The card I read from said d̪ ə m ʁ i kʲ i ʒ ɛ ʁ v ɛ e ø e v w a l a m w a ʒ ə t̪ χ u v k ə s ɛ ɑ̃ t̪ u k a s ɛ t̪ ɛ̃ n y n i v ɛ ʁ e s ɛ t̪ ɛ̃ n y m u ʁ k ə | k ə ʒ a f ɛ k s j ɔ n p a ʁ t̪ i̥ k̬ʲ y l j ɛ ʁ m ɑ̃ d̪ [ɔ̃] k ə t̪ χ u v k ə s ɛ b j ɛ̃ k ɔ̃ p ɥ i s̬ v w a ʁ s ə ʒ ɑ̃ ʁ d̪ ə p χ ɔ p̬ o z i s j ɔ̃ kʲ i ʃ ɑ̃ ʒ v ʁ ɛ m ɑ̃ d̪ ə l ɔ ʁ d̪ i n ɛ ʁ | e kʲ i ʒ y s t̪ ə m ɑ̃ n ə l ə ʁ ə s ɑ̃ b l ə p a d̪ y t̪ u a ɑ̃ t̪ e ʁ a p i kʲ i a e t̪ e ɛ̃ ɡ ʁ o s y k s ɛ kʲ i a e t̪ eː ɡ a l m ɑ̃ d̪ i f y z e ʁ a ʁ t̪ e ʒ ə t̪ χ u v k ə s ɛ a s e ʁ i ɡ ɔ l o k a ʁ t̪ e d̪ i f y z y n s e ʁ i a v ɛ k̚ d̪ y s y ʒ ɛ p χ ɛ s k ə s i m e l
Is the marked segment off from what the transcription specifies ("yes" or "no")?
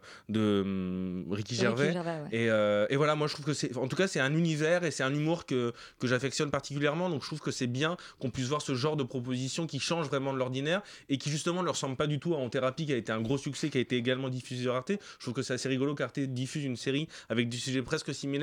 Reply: no